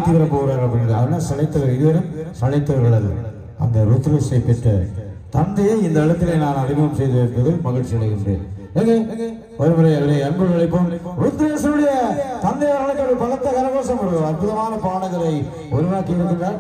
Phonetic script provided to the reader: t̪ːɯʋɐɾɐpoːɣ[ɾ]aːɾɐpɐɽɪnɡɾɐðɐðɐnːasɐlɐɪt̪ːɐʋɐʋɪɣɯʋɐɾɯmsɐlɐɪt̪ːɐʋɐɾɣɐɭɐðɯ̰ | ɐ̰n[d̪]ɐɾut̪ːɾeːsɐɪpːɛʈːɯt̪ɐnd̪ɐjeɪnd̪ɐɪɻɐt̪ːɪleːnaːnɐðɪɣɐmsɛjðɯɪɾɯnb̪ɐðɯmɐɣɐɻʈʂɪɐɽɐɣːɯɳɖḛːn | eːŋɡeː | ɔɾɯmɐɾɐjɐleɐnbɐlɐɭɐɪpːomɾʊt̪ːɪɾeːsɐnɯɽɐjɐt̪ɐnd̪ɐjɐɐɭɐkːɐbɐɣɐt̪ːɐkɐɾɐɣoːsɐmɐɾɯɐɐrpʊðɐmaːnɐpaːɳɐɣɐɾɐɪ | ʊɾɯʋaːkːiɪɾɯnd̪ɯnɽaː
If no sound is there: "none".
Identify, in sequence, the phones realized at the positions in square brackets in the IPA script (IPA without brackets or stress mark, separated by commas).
ɾ, d̪